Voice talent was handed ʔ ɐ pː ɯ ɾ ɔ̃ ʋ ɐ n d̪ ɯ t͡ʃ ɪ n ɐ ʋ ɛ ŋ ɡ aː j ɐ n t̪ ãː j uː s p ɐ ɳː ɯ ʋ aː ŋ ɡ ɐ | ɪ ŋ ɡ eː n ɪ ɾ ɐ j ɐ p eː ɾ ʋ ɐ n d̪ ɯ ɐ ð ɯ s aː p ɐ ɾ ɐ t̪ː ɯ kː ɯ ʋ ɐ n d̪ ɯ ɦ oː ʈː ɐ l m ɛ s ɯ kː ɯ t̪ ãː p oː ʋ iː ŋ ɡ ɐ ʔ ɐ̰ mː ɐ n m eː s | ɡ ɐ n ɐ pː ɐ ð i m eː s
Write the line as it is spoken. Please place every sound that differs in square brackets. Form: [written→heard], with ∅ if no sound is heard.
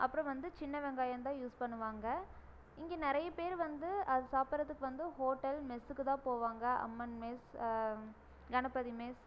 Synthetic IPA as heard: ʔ ɐ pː ɯ ɾ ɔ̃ ʋ ɐ n d̪ ɯ t͡ʃ ɪ [n→nː] ɐ ʋ ɛ ŋ ɡ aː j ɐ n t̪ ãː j uː s p ɐ ɳː ɯ ʋ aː ŋ ɡ ɐ | ɪ ŋ ɡ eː n ɪ ɾ ɐ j ɐ p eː ɾ ʋ ɐ n d̪ ɯ ɐ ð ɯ s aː p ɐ ɾ ɐ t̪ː ɯ kː ɯ ʋ ɐ n d̪ ɯ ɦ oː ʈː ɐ l m ɛ s ɯ kː ɯ t̪ ãː p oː ʋ [iː→aː] ŋ ɡ ɐ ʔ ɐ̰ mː ɐ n m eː s | ɡ ɐ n ɐ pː ɐ ð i m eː s

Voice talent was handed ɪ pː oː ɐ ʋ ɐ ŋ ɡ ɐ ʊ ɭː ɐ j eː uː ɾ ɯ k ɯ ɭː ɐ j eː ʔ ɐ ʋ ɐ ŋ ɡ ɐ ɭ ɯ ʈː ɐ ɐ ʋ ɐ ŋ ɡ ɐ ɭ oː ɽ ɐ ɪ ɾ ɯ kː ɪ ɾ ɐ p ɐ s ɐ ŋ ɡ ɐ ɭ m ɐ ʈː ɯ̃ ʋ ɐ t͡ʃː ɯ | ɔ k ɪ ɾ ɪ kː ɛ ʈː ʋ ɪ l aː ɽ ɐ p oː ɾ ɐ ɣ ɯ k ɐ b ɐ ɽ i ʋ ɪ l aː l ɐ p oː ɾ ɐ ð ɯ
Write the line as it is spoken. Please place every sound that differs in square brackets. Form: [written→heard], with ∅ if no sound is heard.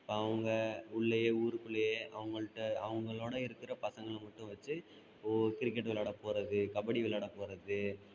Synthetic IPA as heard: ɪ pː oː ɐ ʋ ɐ ŋ ɡ ɐ ʊ ɭː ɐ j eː uː ɾ ɯ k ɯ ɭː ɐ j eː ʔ ɐ ʋ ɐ ŋ ɡ ɐ ɭ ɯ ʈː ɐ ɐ ʋ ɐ ŋ ɡ ɐ ɭ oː ɽ ɐ ɪ ɾ ɯ kː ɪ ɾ ɐ p ɐ s ɐ ŋ ɡ ɐ ɭ m ɐ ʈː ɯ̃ ʋ ɐ t͡ʃː ɯ | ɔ k ɪ ɾ ɪ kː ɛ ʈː ʋ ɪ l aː ɽ ɐ p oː ɾ ɐ [ɣ→ð] ɯ k ɐ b ɐ ɽ i ʋ ɪ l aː [l→ɽ] ɐ p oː ɾ ɐ ð ɯ

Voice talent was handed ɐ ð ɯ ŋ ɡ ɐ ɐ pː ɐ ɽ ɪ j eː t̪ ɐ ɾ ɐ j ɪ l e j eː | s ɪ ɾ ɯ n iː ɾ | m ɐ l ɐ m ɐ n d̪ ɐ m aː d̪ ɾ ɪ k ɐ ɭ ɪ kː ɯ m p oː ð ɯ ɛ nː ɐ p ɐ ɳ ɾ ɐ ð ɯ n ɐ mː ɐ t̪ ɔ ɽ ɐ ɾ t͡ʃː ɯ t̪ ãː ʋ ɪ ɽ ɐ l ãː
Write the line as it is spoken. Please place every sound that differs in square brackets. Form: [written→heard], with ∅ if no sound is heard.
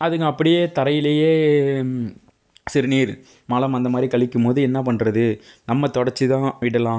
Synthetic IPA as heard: ɐ ð ɯ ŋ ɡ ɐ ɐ pː ɐ ɽ ɪ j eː t̪ ɐ ɾ ɐ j ɪ l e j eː | s ɪ ɾ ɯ n iː ɾ | m ɐ l ɐ m ɐ n d̪ ɐ m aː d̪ ɾ [ɪ→i] k ɐ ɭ ɪ kː ɯ m p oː ð ɯ ɛ nː ɐ p ɐ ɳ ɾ ɐ ð ɯ n ɐ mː ɐ t̪ ɔ ɽ ɐ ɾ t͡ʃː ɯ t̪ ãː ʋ ɪ ɽ ɐ l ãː

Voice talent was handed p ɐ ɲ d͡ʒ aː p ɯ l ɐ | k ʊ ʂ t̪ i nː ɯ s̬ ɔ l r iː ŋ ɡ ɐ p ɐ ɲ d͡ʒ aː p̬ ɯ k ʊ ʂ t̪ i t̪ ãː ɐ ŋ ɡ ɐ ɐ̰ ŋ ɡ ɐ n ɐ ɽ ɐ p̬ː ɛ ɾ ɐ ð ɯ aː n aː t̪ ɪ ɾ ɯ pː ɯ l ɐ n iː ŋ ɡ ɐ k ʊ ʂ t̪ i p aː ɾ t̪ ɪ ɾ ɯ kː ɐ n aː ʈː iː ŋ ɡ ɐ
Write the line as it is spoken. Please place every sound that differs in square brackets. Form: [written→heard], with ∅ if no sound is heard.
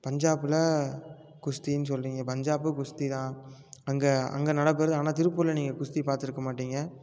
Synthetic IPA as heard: p ɐ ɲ d͡ʒ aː p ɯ l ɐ | k ʊ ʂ t̪ i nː ɯ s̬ ɔ l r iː ŋ ɡ ɐ p ɐ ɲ d͡ʒ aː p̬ ɯ k ʊ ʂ t̪ i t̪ ãː ɐ ŋ ɡ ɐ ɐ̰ ŋ ɡ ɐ n ɐ ɽ ɐ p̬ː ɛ ɾ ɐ ð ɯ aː n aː t̪ ɪ ɾ ɯ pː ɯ l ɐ n iː ŋ ɡ ɐ k ʊ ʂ t̪ i p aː ɾ t̪ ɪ ɾ ɯ kː ɐ [n→m] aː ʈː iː ŋ ɡ ɐ

